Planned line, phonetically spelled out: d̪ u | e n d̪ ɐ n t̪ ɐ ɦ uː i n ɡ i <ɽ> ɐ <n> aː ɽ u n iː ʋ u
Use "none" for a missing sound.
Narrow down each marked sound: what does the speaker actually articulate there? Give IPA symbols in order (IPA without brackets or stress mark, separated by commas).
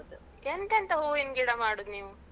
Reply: ɽ, m